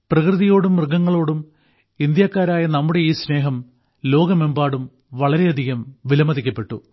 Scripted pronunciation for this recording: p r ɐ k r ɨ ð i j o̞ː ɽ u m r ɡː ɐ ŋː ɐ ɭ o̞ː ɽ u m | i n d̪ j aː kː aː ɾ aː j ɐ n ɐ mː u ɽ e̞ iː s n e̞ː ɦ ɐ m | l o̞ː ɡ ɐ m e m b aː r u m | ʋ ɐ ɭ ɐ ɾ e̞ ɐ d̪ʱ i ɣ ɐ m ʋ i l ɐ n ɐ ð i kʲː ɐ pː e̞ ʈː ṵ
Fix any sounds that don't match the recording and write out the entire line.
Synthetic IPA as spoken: p r ɐ k r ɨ ð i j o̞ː ɽ u m r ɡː ɐ ŋː ɐ ɭ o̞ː ɽ u m | i n d̪ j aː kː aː ɾ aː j ɐ n ɐ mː u ɽ e̞ iː s n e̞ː ɦ ɐ m | l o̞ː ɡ ɐ m e m b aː ɽ u m | ʋ ɐ ɭ ɐ ɾ e̞ ɐ d̪ʱ i ɣ ɐ m ʋ i l ɐ m ɐ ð i kʲː ɐ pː e̞ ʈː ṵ

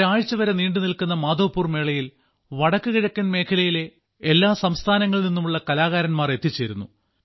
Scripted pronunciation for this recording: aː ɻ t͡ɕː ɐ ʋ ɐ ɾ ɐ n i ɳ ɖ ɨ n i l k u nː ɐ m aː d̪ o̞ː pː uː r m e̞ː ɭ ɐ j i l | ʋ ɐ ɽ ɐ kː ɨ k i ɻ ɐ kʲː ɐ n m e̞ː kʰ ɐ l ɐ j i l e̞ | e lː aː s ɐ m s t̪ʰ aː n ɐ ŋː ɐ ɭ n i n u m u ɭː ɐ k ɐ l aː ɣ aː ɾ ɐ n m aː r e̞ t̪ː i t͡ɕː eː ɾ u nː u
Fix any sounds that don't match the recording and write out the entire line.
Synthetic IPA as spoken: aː ɻ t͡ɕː ɐ ʋ ɐ ɾ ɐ n iː ɳ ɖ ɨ n i l k u nː ɐ m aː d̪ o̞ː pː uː r m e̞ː ɭ ɐ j i l | ʋ ɐ ɽ ɐ kː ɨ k i ɻ ɐ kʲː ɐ n m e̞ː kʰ ɐ l ɐ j i l e̞ | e lː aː s ɐ m s t̪ʰ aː n ɐ ŋː ɐ ɭ n i nː u m u ɭː ɐ k ɐ l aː ɣ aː ɾ ɐ n m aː r e̞ t̪ː i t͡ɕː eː ɾ u nː u

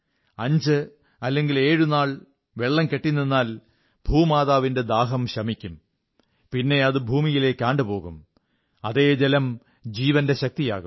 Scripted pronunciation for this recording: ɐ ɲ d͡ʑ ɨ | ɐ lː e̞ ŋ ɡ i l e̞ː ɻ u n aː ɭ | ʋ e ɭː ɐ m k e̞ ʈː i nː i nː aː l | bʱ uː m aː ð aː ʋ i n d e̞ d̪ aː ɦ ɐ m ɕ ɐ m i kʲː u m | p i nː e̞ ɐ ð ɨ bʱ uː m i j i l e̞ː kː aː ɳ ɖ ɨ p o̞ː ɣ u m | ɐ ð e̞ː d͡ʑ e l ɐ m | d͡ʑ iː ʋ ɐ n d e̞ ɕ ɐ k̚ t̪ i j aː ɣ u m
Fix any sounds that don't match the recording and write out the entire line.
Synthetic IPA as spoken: ɐ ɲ d͡ʑ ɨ | ɐ lː e̞ ŋ ɡ i l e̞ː ɻ u n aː ɭ | ʋ e ɭː ɐ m k e̞ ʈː i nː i nː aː l | bʱ uː m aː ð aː ʋ i n d e̞ d̪ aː ɦ ɐ m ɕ ɐ m i kʲː u m | p i nː e̞ ɐ ð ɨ bʱ uː m i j i l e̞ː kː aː ɳ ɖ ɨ p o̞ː ɣ u m | ɐ ð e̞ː d͡ʑ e l ɐ m | d͡ʑ iː ʋ ɐ n d e̞ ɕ ɐ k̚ t̪ i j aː ɣ u m

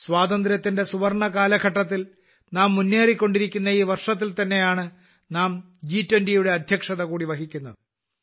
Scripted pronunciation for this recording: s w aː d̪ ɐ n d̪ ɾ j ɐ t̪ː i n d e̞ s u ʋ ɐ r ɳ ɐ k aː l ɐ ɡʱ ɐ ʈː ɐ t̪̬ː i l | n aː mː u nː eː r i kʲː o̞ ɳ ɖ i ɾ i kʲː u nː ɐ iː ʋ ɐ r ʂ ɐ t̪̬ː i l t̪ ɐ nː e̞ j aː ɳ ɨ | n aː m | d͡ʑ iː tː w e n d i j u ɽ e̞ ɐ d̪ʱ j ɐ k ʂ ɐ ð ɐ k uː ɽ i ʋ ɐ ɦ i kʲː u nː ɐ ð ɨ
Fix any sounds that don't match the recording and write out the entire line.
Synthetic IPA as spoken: s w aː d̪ ɐ n d̪ ɾ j ɐ t̪ː i n d e̞ s u ʋ ɐ r ɳ ɐ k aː l ɐ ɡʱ ɐ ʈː ɐ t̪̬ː i l | n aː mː u nː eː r i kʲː o̞ ɳ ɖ i ɾ i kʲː u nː ɐ iː ʋ ɐ r ʂ ɐ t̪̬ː i l t̪ ɐ nː e̞ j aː ɳ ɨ | n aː m | d͡ʑ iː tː w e n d i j u ɽ e̞ ɐ d̪ʱ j ɐ k ʂ ɐ ð ɐ k uː ɽ i ʋ ɐ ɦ i kʲː u nː ɐ ð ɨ

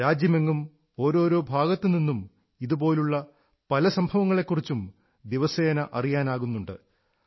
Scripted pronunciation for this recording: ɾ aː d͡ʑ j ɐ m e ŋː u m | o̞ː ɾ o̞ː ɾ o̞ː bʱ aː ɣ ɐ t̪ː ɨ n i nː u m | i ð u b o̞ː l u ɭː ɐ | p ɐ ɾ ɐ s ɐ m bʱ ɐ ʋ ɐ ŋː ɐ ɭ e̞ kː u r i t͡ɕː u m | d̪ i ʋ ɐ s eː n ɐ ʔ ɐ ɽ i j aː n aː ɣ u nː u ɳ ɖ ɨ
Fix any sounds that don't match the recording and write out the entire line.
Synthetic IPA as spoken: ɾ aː d͡ʑ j ɐ m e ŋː u m | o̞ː ɾ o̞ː ɾ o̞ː bʱ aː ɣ ɐ t̪ː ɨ n i nː u m | i ð u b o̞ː l u ɭː ɐ | p ɐ l ɐ s ɐ m bʱ ɐ ʋ ɐ ŋː ɐ ɭ e̞ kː u r i t͡ɕː u m | d̪ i ʋ ɐ s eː n ɐ ʔ ɐ r i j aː n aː ɣ u nː u ɳ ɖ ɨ

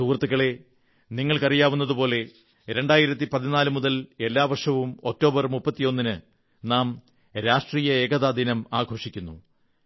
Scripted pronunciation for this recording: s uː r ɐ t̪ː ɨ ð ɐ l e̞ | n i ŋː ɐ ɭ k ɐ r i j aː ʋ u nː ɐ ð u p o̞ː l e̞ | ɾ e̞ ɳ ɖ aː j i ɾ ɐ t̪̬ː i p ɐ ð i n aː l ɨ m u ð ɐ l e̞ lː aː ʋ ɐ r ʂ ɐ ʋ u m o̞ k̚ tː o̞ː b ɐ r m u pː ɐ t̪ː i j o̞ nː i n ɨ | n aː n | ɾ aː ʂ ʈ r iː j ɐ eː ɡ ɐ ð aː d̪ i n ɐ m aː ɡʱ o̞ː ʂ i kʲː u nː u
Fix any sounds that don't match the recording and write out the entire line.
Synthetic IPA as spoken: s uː r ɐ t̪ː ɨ ɣ ɐ ɭ e̞ | n i ŋː ɐ ɭ k ɐ r i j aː ʋ u nː ɐ ð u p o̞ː l e̞ | ɾ e̞ ɳ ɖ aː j i ɾ ɐ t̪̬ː i p ɐ ð i n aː l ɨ m u ð ɐ l e̞ lː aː ʋ ɐ r ʂ ɐ ʋ u m o̞ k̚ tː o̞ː b ɐ r m u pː ɐ t̪ː i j o̞ nː i n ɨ | n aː m | ɾ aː ʂ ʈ r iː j ɐ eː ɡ ɐ ð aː d̪ i n ɐ m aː ɡʱ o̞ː ʂ i kʲː u nː u

